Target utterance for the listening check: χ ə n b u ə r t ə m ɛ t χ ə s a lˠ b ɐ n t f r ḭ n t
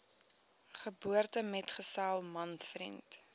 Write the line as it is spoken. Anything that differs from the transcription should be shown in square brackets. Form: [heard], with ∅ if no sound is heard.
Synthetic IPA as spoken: χ ə [∅] b u ə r t ə m ɛ t χ ə s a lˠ [m] ɐ n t f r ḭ n t